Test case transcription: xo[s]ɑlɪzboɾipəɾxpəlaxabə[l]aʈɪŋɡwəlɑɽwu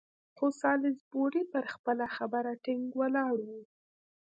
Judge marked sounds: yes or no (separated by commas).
yes, no